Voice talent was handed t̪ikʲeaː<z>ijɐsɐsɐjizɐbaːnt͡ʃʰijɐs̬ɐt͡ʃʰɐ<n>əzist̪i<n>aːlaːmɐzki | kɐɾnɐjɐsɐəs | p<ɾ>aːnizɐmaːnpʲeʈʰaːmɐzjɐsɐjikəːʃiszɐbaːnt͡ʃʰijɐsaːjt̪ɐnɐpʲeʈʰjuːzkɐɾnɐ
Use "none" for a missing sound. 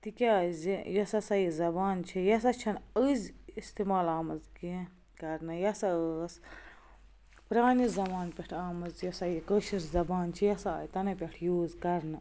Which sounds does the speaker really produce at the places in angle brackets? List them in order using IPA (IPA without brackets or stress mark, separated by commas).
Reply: z, n, m, ɾ